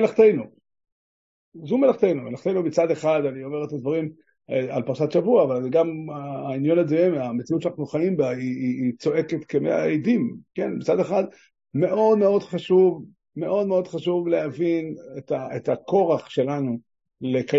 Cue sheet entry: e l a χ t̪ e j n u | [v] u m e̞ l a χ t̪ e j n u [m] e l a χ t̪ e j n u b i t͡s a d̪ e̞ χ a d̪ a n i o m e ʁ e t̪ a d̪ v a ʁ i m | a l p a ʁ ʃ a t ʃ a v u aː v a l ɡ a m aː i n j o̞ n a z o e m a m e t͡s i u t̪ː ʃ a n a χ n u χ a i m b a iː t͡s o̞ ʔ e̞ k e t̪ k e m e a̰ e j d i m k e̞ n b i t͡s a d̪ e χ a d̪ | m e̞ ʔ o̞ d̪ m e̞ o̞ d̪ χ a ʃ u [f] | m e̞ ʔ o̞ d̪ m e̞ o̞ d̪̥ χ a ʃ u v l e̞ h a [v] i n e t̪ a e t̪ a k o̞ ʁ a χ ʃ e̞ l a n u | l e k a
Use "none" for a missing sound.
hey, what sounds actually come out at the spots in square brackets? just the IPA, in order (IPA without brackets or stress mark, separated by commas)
z, m, v, v